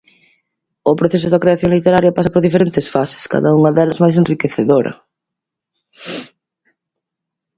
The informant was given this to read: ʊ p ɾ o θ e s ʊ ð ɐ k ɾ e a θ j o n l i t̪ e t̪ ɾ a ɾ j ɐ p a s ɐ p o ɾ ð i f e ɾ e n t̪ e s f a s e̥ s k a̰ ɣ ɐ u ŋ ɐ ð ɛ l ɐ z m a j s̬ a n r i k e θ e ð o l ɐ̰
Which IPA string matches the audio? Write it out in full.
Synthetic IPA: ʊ p ɾ o θ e s ʊ ð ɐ k ɾ e a θ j o ŋ l i t̪ e ɾ a ɾ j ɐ p a s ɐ p o ɾ ð i f e ɾ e n t̪ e s f a s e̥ s k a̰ ð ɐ u ŋ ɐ ð ɛ l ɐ z m a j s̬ e n r i k e θ e ð o ɾ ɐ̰